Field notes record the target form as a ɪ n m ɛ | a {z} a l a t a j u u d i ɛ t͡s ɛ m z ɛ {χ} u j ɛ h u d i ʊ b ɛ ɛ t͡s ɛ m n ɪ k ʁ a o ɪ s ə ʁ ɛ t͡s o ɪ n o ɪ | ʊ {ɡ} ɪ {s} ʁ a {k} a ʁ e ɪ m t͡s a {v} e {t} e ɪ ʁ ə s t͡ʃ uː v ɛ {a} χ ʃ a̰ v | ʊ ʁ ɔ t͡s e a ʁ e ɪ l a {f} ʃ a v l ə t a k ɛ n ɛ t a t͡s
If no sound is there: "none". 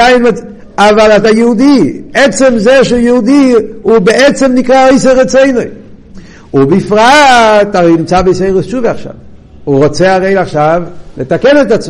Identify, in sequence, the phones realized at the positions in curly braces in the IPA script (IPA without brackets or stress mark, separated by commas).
v, ʃ, b, f, t, b, s, a, χ